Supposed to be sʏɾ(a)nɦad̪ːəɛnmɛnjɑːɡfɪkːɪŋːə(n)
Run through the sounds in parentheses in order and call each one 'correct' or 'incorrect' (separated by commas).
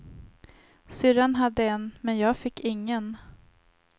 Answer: correct, correct